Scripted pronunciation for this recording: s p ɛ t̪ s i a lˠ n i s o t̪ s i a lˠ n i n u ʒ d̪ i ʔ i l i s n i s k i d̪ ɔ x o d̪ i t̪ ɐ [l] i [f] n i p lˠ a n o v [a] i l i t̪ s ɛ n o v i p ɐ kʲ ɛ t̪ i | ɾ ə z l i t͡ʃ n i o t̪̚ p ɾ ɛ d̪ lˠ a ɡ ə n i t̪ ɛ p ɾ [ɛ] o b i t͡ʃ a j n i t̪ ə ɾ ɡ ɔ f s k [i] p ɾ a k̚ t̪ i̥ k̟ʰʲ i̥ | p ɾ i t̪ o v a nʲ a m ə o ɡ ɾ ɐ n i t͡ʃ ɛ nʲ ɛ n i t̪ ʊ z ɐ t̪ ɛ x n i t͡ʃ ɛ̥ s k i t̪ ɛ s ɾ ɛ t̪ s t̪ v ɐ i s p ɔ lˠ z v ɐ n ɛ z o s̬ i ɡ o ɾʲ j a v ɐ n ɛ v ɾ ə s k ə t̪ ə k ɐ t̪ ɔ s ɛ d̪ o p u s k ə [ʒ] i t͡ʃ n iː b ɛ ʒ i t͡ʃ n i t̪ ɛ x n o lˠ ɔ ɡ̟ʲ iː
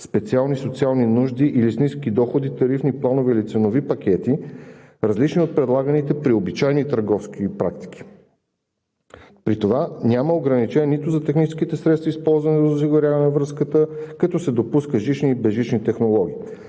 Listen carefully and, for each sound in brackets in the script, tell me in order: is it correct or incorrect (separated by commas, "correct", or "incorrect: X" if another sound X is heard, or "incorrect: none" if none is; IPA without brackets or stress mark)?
incorrect: ɾ, correct, incorrect: ɛ, incorrect: i, correct, correct